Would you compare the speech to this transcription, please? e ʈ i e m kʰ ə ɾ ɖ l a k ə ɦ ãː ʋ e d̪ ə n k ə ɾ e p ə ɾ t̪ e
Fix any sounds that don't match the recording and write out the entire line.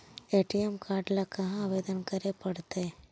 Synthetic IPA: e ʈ i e m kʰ a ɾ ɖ l a k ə ɦ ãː ʋ e d̪ ə n k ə ɾ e p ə ɽ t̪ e